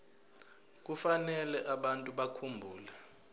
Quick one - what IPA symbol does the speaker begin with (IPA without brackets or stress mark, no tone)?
k̬